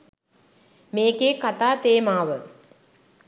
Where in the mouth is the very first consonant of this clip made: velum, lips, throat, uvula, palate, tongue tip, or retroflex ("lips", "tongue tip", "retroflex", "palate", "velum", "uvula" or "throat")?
lips